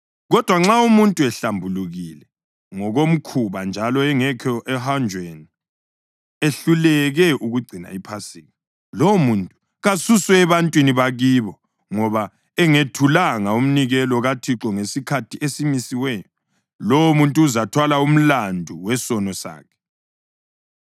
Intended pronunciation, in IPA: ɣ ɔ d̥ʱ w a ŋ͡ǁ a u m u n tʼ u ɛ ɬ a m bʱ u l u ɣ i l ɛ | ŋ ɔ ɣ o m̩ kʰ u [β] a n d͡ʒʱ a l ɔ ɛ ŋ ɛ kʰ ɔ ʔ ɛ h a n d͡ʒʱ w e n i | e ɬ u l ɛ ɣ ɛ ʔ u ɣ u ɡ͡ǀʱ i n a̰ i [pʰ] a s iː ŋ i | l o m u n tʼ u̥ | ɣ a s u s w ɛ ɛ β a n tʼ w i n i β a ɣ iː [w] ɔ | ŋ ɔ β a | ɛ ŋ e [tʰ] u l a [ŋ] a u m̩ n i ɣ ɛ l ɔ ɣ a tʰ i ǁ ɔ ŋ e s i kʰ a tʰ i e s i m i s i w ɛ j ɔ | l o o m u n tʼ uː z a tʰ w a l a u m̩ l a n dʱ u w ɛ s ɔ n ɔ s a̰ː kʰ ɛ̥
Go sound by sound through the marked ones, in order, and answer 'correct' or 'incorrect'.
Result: correct, correct, incorrect: β, correct, correct

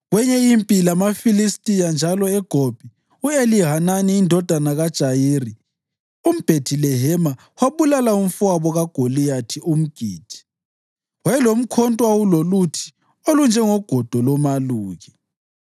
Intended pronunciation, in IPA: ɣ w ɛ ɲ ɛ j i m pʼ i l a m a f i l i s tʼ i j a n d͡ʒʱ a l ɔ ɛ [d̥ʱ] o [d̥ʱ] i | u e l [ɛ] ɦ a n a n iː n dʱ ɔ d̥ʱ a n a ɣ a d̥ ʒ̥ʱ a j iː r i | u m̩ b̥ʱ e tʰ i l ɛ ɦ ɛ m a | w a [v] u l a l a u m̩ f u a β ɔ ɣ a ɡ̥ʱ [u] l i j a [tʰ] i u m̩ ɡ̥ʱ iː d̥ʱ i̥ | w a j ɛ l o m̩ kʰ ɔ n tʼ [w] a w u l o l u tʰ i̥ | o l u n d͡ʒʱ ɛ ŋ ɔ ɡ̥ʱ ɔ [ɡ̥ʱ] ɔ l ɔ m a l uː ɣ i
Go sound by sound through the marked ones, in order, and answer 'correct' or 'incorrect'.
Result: incorrect: ɡ̥ʱ, incorrect: b̥ʱ, incorrect: i, incorrect: β, incorrect: o, correct, correct, incorrect: d̥ʱ

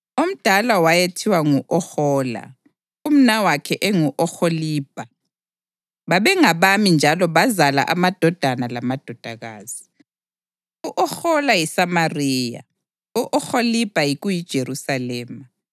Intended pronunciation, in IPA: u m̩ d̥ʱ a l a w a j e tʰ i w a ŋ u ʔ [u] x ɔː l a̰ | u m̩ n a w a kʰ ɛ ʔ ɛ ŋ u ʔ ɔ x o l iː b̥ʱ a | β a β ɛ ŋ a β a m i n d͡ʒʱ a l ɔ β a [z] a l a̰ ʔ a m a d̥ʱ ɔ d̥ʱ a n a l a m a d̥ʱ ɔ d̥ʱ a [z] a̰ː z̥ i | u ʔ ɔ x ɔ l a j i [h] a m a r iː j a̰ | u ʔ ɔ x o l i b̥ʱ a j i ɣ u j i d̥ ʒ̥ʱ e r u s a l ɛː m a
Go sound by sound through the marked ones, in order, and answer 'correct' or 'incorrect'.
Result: incorrect: ɔ, correct, incorrect: ɣ, incorrect: s

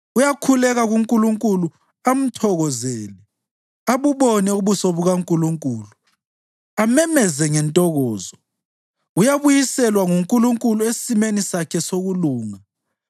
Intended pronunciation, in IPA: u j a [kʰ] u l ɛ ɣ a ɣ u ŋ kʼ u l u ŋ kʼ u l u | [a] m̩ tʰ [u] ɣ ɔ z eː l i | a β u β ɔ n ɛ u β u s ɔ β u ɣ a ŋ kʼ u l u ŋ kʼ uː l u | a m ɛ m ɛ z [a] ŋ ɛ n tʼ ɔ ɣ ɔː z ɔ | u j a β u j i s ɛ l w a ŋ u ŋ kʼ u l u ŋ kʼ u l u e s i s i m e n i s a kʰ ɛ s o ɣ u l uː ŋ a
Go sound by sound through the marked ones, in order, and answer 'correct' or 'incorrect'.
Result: correct, correct, incorrect: ɔ, incorrect: ɛ

